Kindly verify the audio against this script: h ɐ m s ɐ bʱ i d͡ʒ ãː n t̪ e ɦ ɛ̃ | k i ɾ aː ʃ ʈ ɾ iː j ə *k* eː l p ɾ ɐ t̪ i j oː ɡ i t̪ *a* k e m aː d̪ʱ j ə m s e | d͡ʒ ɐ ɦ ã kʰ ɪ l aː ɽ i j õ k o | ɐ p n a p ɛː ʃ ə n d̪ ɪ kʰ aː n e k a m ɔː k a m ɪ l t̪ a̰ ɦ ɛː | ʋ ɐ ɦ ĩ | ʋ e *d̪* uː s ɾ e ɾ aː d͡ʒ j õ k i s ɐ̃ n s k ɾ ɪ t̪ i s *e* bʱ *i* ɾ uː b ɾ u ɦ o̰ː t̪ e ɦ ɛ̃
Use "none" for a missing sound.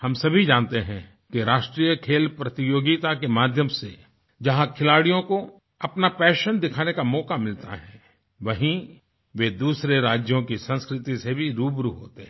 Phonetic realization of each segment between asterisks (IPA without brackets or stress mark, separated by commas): kʰ, a, d̪, e, i